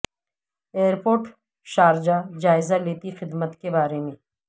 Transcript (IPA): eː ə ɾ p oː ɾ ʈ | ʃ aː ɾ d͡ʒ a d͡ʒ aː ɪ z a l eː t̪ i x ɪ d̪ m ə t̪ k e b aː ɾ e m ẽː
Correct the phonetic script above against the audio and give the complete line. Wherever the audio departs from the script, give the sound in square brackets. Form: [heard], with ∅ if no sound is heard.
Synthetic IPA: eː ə ɾ p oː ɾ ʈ | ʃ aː ɾ d͡ʒ a d͡ʒ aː ɪ z a l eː t̪ i x ɪ d̪ m ə t̪ k e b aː ɾ e m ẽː